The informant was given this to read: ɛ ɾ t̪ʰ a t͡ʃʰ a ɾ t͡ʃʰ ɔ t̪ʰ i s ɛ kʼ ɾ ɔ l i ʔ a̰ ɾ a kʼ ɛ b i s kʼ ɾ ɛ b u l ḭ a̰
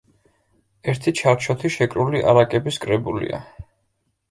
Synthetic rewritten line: ɛ ɾ t̪ʰ i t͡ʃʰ a ɾ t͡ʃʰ ɔ t̪ʰ i ʃ ɛ kʼ ɾ u l i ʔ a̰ ɾ a kʼ ɛ b i s kʼ ɾ ɛ b u l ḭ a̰